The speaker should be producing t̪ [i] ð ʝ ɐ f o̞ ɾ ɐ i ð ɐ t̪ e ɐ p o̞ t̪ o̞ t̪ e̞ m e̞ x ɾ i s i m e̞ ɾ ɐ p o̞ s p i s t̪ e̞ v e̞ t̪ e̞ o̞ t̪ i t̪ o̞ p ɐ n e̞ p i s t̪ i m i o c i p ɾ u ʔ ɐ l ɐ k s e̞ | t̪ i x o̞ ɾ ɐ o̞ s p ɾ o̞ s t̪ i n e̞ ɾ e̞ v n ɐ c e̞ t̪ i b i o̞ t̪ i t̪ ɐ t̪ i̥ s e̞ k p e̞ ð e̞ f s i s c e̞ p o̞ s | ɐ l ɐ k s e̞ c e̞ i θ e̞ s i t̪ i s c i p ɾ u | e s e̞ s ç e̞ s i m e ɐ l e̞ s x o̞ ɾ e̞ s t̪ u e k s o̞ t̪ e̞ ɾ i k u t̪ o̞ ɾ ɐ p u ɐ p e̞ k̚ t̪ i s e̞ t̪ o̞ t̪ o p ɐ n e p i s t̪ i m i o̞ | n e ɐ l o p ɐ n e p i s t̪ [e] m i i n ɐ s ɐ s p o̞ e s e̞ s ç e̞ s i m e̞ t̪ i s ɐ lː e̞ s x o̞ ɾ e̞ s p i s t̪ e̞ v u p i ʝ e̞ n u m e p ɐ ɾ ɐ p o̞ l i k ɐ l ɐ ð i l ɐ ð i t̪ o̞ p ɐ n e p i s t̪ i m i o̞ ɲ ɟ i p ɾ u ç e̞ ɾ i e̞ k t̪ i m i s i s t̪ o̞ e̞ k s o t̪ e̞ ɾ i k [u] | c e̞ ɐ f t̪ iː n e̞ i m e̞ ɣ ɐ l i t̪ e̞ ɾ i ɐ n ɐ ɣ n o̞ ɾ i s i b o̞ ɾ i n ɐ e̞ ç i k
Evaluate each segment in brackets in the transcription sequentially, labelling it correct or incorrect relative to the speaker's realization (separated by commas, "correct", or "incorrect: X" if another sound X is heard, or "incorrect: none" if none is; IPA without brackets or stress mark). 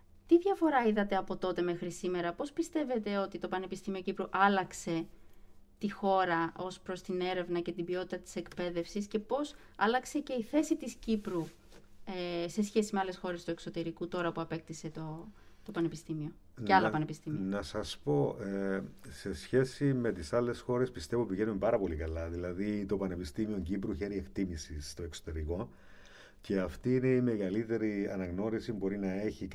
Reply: correct, incorrect: i, incorrect: o